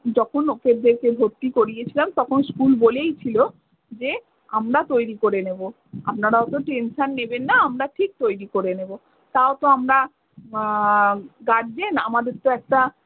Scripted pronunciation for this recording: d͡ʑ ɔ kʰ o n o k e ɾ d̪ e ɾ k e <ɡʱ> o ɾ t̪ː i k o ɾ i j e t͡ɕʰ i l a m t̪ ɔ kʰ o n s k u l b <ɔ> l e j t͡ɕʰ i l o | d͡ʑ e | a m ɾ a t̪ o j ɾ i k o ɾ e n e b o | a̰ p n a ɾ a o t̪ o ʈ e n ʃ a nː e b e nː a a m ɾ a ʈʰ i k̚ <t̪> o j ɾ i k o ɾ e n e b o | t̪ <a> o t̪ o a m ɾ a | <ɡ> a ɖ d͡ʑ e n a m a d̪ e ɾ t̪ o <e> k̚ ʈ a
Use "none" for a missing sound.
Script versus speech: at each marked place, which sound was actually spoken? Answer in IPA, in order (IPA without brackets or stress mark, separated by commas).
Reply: bʱ, o, t̪, a, ɡ, ɛ